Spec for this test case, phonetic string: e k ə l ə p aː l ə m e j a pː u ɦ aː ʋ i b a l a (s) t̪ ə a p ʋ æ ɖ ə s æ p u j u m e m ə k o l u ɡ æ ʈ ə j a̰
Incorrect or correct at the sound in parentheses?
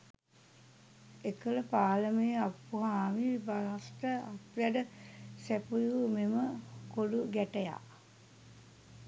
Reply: correct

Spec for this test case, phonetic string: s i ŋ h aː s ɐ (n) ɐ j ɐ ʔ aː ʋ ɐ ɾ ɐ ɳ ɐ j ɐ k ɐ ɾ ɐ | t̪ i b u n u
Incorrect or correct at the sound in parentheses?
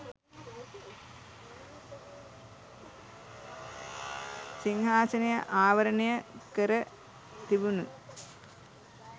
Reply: correct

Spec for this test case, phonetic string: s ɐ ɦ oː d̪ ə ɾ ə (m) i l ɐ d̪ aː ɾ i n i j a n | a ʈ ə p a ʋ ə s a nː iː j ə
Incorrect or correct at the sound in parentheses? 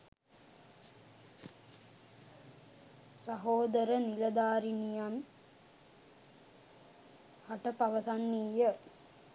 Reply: incorrect: n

